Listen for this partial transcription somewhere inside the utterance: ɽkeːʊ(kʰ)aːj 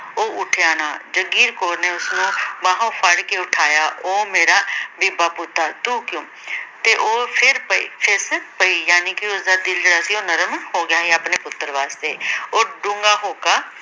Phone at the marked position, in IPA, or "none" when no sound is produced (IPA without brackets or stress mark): ʈʰ